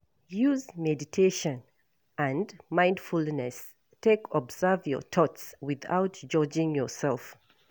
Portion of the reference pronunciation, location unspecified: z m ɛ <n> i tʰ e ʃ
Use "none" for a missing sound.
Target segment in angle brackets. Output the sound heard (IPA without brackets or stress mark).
d